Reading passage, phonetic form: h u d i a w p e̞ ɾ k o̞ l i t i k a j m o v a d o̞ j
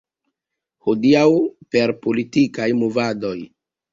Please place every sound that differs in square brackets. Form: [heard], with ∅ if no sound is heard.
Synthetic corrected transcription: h [o] d i a w p e̞ ɾ [p] o̞ l i t i k a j m o v a d o̞ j